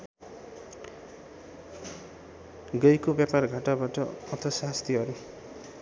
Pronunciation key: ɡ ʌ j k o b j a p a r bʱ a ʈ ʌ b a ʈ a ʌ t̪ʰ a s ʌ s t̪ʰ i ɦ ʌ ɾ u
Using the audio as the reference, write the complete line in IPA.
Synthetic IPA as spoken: ɡ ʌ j k o b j a p a r ɡʱ a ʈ a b a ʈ ʌ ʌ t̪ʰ ʌ s a s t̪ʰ i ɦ ʌ ɾ u